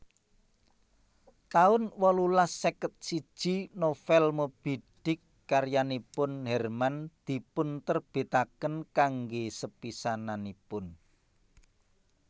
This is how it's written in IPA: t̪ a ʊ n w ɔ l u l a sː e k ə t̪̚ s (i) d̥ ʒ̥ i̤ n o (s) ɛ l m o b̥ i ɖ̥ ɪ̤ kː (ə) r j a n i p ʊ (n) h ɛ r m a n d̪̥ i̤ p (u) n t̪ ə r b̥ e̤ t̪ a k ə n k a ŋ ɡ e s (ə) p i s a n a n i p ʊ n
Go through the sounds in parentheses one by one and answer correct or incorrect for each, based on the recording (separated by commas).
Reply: correct, incorrect, incorrect, correct, incorrect, correct